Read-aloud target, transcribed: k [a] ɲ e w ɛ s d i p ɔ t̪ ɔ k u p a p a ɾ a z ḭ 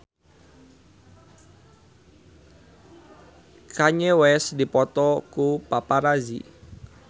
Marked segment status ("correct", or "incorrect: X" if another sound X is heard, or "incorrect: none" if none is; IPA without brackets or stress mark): correct